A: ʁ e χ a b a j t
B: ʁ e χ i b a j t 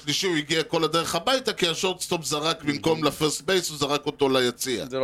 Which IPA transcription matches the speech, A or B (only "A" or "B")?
A